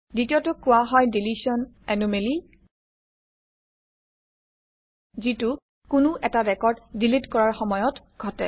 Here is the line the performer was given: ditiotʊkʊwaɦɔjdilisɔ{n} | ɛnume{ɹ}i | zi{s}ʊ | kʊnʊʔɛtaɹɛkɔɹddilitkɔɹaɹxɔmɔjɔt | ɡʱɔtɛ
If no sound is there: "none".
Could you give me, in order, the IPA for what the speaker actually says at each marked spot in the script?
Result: n, l, t

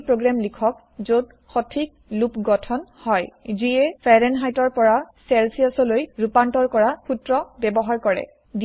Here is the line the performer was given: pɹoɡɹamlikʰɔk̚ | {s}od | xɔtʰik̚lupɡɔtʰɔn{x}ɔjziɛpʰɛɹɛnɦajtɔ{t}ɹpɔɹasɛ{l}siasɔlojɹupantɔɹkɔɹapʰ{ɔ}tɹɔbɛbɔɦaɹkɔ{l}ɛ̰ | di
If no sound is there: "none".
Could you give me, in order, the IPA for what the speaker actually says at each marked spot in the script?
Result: z, h, none, l, u, ɹ

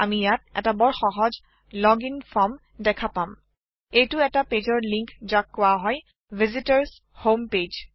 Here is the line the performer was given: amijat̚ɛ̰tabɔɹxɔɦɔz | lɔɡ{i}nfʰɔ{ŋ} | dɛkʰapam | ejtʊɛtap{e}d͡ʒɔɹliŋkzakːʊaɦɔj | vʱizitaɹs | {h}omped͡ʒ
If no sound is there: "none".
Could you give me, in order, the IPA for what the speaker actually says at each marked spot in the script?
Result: i, m, e, h

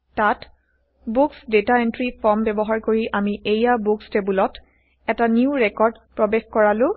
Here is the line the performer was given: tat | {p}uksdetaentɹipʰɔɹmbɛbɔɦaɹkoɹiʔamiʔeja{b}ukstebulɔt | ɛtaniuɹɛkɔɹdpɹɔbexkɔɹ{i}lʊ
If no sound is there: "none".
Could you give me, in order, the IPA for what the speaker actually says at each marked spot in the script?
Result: b, b, a

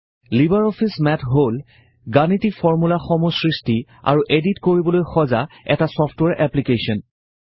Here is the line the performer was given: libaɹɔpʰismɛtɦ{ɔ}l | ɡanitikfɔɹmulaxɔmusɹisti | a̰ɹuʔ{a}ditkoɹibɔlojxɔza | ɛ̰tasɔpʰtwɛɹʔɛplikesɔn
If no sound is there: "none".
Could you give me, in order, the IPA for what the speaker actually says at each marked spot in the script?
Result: o, e

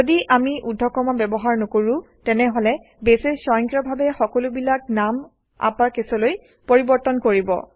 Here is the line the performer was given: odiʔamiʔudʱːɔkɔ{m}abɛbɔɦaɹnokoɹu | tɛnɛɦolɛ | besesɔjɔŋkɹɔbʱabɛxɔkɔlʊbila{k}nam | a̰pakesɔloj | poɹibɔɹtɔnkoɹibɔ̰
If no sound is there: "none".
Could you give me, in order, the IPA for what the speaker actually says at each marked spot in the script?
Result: m, k

